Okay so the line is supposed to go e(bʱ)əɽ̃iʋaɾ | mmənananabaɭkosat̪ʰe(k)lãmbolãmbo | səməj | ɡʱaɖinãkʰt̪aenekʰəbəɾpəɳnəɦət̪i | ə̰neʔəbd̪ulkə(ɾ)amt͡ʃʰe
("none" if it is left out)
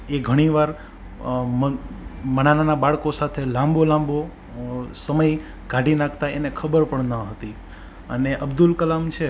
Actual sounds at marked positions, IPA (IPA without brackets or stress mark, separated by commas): ɡʱ, none, l